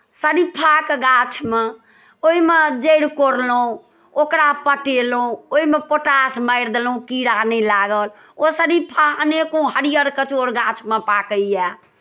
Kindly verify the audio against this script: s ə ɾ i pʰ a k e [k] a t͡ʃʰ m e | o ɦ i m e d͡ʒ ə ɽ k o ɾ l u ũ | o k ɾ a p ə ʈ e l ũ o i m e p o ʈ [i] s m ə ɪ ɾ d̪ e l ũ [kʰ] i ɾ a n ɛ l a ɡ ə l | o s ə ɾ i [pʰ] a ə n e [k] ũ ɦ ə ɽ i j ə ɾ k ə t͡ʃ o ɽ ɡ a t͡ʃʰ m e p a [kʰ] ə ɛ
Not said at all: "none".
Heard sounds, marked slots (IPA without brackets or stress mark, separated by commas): ɡ, a, k, pʰ, k, k